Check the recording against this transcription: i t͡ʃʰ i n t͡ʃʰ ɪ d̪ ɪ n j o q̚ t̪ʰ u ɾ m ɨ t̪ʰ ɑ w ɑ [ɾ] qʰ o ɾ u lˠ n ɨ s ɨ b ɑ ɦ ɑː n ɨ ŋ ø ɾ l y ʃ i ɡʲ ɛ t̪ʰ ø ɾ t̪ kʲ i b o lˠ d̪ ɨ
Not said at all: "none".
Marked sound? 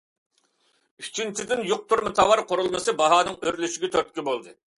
ɾ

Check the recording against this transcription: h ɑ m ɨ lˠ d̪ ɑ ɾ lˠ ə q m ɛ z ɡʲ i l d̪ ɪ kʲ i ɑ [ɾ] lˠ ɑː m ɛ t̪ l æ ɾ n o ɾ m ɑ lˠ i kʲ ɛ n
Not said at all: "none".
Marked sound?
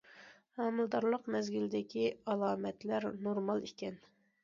none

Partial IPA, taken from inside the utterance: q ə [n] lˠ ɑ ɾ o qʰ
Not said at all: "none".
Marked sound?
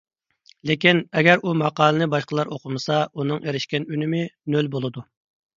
none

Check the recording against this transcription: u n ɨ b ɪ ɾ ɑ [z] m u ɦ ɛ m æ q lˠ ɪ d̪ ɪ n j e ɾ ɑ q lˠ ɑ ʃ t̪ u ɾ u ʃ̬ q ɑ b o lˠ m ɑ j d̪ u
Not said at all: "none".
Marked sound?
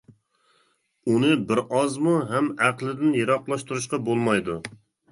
z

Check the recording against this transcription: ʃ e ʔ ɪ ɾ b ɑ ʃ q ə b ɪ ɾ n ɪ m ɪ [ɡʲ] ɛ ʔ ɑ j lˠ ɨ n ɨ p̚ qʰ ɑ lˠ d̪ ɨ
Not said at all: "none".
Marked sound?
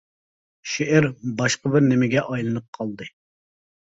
ɡʲ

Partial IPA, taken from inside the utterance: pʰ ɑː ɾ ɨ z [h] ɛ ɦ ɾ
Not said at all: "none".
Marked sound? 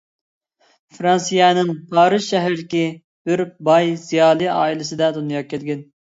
ʃ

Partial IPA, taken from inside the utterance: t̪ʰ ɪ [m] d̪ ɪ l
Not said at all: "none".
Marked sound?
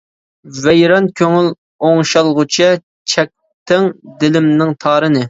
ŋ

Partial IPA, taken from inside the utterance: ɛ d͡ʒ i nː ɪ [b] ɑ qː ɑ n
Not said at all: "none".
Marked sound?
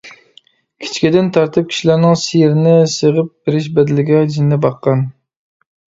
b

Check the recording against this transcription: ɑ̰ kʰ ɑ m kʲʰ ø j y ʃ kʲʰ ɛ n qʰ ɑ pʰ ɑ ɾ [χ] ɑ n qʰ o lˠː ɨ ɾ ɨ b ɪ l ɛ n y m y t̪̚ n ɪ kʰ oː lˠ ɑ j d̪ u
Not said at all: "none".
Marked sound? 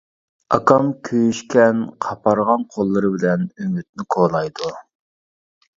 ʁ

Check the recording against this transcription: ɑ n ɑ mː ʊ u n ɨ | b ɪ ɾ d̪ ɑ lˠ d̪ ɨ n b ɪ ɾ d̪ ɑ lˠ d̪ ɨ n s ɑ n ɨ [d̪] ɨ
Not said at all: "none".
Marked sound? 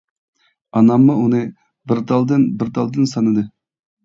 d̪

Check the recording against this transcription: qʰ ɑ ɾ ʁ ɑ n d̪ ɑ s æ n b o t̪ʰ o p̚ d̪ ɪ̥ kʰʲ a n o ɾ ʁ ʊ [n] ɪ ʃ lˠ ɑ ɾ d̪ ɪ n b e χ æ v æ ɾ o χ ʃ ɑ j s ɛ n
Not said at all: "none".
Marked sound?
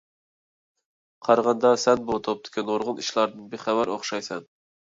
n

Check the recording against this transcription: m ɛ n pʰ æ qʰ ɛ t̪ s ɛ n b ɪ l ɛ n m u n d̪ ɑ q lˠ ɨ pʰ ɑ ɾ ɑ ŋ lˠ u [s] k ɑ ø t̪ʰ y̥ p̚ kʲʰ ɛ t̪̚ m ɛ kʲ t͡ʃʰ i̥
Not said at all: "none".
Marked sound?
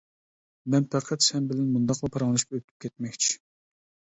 ʃ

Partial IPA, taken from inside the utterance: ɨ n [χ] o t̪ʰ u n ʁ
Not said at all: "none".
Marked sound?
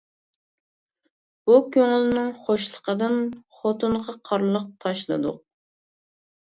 χ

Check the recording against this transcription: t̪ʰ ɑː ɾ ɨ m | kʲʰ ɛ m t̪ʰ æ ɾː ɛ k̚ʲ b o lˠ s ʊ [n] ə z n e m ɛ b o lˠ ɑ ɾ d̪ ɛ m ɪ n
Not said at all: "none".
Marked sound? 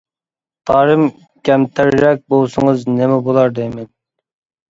ŋ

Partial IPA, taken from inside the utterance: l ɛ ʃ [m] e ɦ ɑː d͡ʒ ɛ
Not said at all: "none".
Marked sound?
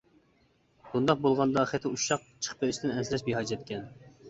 b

